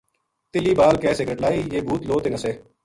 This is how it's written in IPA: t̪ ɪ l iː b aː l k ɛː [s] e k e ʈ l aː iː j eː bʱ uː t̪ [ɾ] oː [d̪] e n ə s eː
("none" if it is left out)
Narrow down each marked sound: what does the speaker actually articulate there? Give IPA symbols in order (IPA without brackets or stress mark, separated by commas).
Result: s, l, t̪